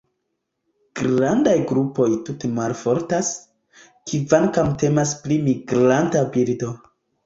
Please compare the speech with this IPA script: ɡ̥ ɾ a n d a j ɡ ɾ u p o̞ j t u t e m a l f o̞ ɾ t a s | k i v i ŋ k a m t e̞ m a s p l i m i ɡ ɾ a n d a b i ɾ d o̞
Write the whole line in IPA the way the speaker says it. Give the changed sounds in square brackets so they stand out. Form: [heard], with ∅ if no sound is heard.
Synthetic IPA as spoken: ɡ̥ ɾ a n d a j ɡ ɾ u p o̞ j t u t e m a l f o̞ ɾ t a s | k i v [a] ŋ k a m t e̞ m a s p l i m i ɡ ɾ a n [t] a b i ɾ d o̞